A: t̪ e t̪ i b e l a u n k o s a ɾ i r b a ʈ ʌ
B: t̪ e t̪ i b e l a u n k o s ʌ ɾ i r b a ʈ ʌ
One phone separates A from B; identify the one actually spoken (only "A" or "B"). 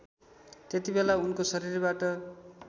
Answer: B